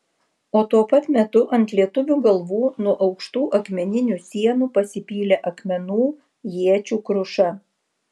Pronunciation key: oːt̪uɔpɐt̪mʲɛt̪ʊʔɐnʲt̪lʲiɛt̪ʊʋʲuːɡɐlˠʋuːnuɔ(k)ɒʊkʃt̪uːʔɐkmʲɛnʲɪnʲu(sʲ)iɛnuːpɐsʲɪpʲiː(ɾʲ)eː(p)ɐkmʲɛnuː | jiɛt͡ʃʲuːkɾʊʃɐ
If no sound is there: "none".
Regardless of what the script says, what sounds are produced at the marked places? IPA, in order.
ʔ, sʲ, lʲ, ʔ

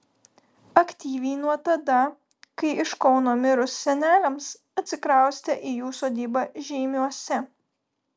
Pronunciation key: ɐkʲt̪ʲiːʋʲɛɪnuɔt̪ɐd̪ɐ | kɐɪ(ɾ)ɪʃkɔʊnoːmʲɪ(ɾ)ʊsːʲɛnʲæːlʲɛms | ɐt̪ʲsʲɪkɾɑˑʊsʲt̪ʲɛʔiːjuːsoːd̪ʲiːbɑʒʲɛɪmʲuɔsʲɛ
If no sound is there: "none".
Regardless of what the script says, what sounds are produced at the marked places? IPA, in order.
none, ɾ

